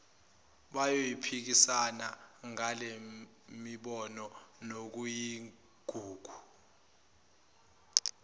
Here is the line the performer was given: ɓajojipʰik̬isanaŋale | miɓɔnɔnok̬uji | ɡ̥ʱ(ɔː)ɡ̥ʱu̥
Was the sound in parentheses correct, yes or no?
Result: no